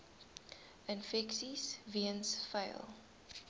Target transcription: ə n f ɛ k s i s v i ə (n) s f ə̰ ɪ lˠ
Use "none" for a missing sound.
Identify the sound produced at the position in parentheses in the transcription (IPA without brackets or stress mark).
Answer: n